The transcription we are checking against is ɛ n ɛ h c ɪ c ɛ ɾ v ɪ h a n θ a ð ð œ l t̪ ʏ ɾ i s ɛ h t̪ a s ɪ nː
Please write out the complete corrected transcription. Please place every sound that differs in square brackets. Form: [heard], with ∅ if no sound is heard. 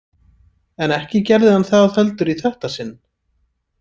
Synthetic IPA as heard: ɛ n ɛ h c ɪ c ɛ ɾ [ð] ɪ h a n θ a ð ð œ l t̪ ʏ ɾ i [θ] ɛ h t̪ a s ɪ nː